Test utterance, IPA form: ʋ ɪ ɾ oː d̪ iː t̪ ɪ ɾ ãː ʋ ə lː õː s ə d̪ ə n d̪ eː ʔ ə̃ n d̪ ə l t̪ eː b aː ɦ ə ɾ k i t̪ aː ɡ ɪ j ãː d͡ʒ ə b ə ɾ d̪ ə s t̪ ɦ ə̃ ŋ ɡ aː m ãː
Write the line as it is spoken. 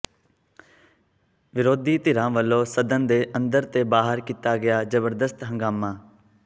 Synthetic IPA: ʋ ɪ ɾ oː d̪ iː t̪ ɪ ɾ ãː ʋ ə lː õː s ə d̪ ə n d̪ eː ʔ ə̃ n d̪ ə ɾ t̪ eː b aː ɦ ə ɾ k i t̪ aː ɡ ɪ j aː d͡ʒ ə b ə ɾ d̪ ə s t̪ ɦ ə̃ ŋ ɡ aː m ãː